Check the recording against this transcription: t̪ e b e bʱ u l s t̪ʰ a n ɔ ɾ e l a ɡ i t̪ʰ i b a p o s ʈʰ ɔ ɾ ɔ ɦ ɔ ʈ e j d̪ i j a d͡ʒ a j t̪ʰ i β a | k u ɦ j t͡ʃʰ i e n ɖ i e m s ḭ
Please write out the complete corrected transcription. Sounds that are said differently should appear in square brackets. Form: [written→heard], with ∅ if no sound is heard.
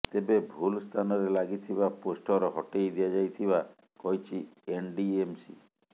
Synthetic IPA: t̪ e b e bʱ u l s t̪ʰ a n ɔ ɾ e l a ɡ i t̪ʰ i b a p o s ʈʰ ɔ ɾ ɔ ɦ ɔ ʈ e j d̪ i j a d͡ʒ a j t̪ʰ i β a | k [u→ɔ] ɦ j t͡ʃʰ i e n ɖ i e m s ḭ